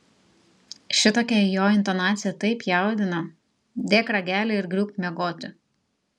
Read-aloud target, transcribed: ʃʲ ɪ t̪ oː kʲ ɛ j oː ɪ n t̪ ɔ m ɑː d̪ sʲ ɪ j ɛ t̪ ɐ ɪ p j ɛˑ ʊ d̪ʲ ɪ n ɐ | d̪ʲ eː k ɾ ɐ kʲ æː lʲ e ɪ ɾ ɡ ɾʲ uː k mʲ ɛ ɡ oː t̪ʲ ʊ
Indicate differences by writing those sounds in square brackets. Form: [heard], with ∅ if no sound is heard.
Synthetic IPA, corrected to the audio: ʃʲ ɪ t̪ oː kʲ ɛ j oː ɪ n t̪ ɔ [n] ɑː [t̪] sʲ ɪ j ɛ t̪ ɐ ɪ p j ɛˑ ʊ d̪ʲ ɪ n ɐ | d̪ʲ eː k ɾ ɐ [ɡʲ] æː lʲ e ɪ ɾ ɡ ɾʲ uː k mʲ ɛ ɡ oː t̪ʲ ʊ